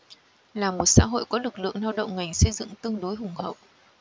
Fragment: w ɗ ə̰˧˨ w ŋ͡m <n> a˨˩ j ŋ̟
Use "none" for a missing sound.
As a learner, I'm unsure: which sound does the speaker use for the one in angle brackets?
ŋ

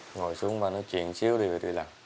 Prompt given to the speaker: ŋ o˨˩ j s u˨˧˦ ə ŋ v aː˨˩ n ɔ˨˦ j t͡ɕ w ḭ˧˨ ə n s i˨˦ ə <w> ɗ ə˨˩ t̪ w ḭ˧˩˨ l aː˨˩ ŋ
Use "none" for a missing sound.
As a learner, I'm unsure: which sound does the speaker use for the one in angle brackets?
w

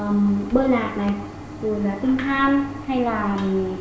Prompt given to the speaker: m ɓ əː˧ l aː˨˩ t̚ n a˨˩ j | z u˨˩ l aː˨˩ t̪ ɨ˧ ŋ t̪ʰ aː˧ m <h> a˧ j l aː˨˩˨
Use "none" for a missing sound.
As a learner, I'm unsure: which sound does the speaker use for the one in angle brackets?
h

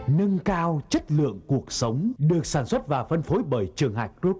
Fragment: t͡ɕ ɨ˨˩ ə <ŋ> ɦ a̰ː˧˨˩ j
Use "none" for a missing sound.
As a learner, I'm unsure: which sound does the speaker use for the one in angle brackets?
ŋ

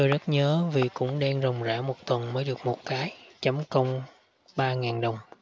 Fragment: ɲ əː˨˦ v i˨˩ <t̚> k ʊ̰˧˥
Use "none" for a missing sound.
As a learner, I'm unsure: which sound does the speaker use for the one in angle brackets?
none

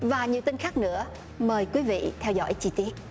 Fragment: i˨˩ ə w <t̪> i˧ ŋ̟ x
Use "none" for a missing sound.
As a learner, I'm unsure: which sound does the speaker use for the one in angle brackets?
t̪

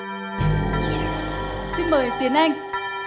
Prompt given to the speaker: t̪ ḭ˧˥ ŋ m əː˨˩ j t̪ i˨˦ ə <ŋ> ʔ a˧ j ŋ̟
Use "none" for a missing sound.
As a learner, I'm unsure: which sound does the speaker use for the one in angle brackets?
n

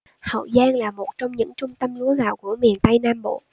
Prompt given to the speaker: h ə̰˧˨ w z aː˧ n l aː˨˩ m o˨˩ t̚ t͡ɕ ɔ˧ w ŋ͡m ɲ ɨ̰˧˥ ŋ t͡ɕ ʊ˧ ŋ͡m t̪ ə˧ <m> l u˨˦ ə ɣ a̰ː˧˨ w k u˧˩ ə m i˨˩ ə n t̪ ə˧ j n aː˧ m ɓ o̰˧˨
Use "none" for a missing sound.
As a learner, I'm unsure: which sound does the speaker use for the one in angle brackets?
m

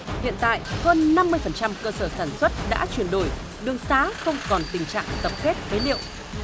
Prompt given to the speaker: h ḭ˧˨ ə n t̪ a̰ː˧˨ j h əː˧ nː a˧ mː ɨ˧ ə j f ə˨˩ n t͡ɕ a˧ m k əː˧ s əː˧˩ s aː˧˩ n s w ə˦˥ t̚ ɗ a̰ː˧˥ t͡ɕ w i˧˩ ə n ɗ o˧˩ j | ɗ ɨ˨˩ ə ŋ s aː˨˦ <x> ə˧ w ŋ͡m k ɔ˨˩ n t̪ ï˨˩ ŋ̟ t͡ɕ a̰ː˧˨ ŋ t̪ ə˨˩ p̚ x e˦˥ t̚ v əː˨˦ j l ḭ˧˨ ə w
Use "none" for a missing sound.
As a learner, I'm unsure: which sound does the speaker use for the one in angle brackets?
x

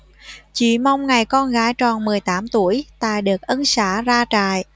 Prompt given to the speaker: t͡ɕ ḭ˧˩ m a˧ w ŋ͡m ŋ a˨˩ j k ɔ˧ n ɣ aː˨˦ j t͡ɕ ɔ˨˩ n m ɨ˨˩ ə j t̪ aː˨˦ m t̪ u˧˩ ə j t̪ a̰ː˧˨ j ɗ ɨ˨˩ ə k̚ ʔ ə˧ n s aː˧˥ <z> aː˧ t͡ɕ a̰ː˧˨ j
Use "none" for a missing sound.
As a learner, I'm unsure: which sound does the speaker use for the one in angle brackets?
z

